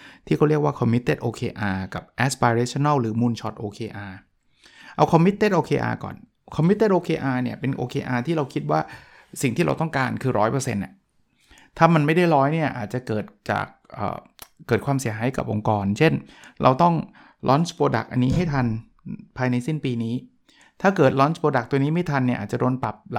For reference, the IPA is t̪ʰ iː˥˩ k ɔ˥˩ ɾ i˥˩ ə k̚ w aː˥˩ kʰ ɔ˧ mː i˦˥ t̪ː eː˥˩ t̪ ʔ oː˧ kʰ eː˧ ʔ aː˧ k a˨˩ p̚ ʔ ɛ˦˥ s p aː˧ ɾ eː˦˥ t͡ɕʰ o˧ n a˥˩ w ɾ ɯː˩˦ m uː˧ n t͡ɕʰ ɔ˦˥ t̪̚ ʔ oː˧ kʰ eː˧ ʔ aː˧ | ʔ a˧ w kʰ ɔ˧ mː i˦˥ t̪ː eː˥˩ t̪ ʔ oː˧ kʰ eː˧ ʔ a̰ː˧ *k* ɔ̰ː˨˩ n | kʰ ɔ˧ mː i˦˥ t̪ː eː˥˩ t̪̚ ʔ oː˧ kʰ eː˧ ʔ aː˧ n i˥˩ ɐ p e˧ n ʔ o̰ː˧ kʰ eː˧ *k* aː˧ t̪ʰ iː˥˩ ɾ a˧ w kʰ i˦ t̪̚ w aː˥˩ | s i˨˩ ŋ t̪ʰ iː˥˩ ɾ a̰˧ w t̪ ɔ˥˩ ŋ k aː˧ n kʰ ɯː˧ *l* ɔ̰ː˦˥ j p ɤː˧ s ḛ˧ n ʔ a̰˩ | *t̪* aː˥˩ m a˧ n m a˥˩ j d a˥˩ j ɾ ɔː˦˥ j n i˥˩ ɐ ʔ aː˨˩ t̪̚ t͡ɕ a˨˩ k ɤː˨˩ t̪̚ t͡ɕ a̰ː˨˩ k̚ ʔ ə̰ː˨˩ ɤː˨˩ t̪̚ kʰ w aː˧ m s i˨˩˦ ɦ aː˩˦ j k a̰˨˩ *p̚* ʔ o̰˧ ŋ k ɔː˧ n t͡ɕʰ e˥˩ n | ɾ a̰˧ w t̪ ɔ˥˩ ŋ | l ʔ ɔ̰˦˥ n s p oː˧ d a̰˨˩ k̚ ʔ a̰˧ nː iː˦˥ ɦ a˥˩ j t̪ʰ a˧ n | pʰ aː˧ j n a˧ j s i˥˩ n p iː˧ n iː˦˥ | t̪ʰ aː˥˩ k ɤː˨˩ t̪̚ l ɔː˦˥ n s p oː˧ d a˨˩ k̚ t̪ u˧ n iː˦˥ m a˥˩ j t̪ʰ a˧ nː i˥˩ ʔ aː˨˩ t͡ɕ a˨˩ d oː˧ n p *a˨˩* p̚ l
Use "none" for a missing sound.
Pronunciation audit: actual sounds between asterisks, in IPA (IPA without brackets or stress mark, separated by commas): k, ʔ, ɾ, t̪ʰ, p̚, a˨˩